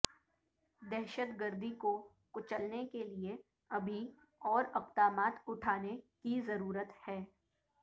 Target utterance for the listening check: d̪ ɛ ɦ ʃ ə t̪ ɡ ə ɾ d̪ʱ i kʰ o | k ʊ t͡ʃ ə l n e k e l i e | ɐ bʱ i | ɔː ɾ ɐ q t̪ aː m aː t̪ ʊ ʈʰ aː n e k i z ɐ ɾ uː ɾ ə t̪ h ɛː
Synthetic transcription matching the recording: d̪ ɛ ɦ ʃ ə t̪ ɡ ə ɾ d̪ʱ i k o | k ʊ t͡ʃ ə l n e k e l i e | ɐ bʱ i | ɔː ɾ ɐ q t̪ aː m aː t̪ ʊ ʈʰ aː n e k i z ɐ ɾ uː ɾ ə t̪ h ɛː